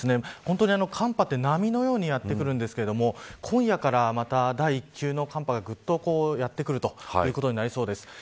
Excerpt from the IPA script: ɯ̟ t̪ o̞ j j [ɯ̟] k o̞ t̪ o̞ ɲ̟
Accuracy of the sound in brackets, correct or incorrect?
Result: incorrect: ɯ̟ː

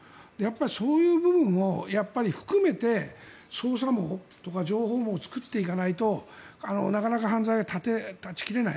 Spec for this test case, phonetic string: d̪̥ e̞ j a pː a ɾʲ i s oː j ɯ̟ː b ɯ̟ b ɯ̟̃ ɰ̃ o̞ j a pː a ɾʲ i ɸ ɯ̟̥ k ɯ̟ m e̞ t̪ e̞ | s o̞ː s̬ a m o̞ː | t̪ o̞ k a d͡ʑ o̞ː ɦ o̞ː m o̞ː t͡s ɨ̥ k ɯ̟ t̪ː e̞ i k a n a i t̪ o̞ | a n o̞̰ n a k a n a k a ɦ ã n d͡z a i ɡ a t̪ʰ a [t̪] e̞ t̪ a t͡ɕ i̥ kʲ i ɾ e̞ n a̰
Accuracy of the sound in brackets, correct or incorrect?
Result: correct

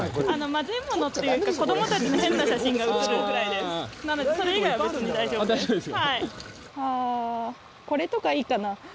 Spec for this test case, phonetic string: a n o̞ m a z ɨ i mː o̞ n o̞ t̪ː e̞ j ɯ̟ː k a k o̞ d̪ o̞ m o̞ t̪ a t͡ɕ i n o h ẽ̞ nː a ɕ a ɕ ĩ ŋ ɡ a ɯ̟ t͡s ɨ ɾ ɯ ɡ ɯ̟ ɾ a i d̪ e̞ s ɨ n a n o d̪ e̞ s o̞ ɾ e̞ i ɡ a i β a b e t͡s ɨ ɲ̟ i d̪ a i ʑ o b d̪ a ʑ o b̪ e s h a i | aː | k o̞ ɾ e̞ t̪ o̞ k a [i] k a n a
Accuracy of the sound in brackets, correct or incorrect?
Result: incorrect: iː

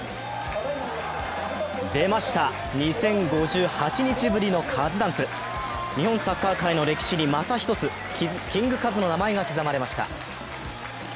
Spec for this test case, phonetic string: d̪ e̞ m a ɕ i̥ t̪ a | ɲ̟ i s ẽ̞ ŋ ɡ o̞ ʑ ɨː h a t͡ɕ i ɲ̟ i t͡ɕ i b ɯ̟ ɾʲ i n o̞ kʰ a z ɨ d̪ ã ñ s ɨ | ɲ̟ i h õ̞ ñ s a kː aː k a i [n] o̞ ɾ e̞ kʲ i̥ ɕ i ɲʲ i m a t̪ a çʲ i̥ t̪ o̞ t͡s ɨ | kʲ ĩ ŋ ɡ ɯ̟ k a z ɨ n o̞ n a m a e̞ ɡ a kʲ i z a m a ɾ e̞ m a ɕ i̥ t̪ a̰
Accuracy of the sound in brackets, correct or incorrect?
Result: correct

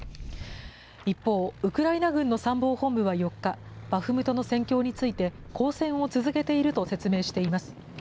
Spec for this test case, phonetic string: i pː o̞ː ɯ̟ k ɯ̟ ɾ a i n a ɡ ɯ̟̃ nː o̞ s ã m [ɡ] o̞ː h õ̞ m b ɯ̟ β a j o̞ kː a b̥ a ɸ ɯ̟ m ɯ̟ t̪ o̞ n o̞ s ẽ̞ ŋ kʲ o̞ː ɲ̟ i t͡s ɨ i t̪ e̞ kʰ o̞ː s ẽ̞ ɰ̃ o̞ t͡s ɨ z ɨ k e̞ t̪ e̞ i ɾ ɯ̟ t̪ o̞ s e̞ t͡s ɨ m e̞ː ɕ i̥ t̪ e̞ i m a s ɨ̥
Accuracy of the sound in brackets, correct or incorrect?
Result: incorrect: b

